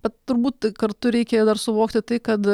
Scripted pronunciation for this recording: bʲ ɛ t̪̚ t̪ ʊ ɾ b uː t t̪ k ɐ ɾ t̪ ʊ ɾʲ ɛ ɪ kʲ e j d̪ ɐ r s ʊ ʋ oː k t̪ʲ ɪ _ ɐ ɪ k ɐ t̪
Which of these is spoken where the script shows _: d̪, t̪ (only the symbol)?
t̪